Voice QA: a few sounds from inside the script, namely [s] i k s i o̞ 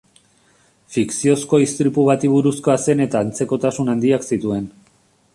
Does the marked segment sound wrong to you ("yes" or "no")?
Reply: yes